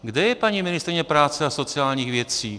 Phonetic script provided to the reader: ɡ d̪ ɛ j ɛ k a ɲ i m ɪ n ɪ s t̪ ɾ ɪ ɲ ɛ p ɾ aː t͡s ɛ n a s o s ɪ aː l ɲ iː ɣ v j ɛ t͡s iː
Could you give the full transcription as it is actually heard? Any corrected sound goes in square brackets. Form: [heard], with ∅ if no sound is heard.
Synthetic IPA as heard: ɡ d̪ ɛ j ɛ [p] a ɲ i m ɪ n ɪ s t̪ ɾ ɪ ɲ ɛ p ɾ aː t͡s ɛ [∅] a s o [t͡s] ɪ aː l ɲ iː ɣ v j ɛ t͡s iː